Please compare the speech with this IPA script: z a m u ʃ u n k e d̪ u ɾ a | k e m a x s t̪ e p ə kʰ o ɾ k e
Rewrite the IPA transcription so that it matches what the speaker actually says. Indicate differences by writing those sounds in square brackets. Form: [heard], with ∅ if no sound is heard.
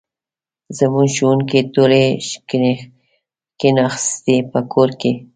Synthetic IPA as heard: z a m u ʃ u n k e [t̪] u ɾ [e] | k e [n] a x s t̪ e p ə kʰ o ɾ k e